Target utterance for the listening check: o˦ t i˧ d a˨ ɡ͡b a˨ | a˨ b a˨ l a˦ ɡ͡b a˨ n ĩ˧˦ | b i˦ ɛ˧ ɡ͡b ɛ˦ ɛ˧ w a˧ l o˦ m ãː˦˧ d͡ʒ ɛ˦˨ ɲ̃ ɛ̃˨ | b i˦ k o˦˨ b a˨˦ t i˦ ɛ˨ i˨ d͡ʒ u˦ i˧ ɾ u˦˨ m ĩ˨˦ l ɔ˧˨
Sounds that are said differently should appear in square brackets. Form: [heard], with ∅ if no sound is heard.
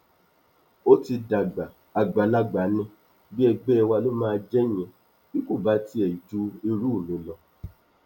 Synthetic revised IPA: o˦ t i˧ d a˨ ɡ͡b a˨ | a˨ [ɡ͡b] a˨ l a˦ ɡ͡b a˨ n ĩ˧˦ | b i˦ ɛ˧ ɡ͡b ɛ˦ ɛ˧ w a˧ l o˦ m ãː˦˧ d͡ʒ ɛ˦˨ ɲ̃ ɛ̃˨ | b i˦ k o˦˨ b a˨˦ t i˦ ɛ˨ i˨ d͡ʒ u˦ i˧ ɾ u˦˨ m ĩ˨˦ l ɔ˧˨

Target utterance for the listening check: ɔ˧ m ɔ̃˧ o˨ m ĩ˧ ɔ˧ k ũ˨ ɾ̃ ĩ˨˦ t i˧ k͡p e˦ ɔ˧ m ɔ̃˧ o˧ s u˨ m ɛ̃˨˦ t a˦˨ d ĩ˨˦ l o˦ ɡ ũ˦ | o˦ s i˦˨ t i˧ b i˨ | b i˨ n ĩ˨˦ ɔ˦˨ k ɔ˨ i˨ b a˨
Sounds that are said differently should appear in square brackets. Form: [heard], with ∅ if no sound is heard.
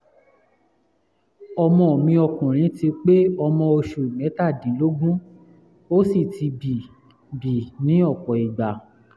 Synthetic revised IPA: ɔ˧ m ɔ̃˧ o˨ m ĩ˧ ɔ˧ k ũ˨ ɾ̃ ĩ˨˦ t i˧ k͡p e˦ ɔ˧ m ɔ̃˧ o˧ [ʃ] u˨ m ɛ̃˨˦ t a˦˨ d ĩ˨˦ l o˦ ɡ ũ˦ | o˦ s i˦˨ t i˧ b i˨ | b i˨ n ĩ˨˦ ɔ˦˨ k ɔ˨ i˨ [ɡ͡b] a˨

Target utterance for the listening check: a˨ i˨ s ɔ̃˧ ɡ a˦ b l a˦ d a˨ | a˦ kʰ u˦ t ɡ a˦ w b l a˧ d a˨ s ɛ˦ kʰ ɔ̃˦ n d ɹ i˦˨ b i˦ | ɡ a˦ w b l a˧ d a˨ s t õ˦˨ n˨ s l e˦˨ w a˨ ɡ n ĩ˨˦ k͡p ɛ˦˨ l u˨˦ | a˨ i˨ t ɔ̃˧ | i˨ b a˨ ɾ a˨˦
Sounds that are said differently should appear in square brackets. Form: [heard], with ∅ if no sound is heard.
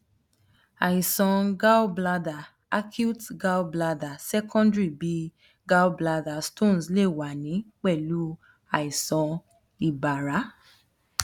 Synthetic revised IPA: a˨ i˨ s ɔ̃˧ ɡ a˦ b l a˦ d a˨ | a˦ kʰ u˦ t ɡ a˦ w b l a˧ d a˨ s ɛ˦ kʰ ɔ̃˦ n d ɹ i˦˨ b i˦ | ɡ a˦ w b l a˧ d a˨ s t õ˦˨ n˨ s l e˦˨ w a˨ [∅] n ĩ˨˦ k͡p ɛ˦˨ l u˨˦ | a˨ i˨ [s] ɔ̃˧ | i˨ b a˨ ɾ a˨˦

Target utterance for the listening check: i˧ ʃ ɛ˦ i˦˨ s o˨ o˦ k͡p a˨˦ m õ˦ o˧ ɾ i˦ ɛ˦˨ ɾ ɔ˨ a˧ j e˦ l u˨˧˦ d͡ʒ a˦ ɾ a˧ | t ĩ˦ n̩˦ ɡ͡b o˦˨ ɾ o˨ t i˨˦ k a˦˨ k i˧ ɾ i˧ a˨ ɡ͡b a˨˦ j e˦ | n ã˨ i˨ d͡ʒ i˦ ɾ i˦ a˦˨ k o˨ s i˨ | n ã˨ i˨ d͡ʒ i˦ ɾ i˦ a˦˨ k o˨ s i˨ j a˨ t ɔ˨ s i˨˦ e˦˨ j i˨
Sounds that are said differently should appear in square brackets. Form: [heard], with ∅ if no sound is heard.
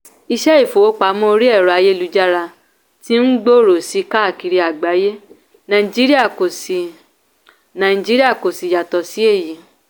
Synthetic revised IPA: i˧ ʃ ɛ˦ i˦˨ [f] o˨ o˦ k͡p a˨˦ m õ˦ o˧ ɾ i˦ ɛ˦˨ ɾ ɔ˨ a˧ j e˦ l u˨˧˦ d͡ʒ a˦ ɾ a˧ | t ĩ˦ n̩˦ ɡ͡b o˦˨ ɾ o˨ [s] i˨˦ k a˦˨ k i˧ ɾ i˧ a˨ ɡ͡b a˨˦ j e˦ | n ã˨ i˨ d͡ʒ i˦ ɾ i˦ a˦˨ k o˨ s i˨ | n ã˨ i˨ d͡ʒ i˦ ɾ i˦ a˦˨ k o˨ s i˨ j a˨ t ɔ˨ s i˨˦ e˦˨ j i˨

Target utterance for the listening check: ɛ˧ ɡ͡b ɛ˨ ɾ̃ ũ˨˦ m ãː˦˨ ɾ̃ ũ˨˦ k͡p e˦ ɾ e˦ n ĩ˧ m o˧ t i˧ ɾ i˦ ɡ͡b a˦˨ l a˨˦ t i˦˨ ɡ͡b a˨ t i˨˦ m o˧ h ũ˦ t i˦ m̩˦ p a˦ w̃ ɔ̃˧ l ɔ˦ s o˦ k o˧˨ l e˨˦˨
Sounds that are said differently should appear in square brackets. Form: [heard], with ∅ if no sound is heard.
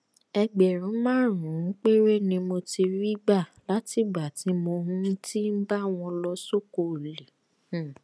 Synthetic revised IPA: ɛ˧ ɡ͡b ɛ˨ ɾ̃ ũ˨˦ m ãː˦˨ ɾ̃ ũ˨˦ k͡p e˦ ɾ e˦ n ĩ˧ m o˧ t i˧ ɾ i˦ ɡ͡b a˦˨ l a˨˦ t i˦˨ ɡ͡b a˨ t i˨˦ m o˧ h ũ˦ t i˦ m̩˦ [b] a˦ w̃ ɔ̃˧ l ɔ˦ s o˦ k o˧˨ l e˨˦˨

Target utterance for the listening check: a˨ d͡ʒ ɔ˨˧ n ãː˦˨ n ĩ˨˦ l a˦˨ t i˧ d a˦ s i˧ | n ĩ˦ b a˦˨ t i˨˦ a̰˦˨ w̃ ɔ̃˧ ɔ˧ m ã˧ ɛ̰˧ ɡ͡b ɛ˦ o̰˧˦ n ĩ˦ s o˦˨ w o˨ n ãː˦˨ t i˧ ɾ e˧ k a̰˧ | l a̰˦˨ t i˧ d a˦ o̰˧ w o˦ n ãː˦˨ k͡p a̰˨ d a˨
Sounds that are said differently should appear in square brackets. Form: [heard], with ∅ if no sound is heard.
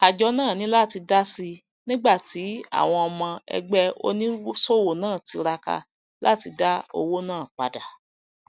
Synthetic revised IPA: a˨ d͡ʒ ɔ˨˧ n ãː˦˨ n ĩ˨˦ l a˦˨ t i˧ d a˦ s i˧ | n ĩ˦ [ɡ͡b] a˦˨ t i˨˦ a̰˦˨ w̃ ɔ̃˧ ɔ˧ m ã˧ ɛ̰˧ ɡ͡b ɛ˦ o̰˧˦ n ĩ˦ s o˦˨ w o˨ n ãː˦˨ t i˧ ɾ [a˧] k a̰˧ | l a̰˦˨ t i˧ d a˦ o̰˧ w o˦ n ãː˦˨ k͡p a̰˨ d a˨

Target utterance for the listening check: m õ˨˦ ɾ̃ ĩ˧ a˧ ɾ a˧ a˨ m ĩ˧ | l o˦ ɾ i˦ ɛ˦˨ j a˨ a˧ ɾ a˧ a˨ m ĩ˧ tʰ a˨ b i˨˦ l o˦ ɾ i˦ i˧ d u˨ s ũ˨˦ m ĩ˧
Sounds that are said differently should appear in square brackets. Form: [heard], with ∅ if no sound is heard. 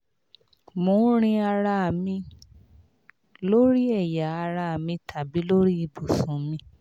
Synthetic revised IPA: m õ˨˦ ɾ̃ ĩ˧ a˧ ɾ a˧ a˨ m ĩ˧ | l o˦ ɾ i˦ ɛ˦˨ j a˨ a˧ ɾ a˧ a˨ m ĩ˧ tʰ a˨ b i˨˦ l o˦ ɾ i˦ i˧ [b] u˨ s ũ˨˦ m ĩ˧

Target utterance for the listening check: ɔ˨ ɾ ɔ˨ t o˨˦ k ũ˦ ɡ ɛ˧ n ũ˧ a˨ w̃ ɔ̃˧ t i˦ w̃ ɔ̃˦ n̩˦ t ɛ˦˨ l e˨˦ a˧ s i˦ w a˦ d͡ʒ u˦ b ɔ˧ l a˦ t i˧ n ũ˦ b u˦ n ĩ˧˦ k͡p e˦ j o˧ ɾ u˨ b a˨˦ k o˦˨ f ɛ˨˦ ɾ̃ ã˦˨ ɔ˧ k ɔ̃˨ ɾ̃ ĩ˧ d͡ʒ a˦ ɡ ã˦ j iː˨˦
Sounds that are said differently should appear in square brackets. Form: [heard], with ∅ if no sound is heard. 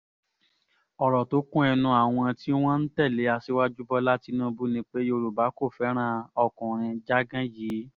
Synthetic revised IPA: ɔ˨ ɾ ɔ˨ t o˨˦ k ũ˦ [∅] ɛ˧ n ũ˧ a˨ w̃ ɔ̃˧ t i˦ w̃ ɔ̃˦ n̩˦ t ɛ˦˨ l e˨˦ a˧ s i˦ w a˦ d͡ʒ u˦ b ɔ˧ l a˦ t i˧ n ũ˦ b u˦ n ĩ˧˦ k͡p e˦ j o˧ ɾ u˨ b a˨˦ k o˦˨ f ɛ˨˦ ɾ̃ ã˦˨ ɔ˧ k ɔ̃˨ ɾ̃ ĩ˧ d͡ʒ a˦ ɡ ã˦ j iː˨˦

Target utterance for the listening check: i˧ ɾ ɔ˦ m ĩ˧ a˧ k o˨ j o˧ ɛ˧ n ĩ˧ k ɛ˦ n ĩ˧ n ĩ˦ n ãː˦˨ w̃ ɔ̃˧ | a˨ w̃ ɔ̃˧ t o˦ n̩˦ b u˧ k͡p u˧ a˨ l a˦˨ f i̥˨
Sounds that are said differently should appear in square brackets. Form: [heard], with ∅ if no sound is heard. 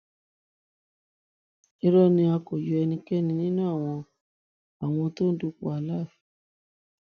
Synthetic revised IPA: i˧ ɾ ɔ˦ [n] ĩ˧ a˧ k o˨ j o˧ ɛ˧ n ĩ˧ k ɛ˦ n ĩ˧ n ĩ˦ n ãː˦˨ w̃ ɔ̃˧ | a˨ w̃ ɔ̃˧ t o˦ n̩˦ [d] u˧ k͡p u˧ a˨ l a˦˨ f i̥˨

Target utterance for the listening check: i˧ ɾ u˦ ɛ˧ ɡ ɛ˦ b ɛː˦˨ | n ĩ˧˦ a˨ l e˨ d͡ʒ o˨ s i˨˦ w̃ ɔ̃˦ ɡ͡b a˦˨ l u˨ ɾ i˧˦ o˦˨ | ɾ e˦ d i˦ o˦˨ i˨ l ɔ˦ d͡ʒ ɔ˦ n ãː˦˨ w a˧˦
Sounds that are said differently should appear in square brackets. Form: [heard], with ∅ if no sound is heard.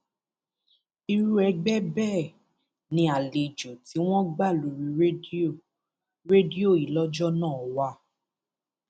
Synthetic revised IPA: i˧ ɾ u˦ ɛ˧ [ɡ͡b] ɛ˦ b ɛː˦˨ | n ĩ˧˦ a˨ l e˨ d͡ʒ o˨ [t] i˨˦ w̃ ɔ̃˦ ɡ͡b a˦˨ l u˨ ɾ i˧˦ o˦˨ | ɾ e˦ d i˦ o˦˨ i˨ l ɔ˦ d͡ʒ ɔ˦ n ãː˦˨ w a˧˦

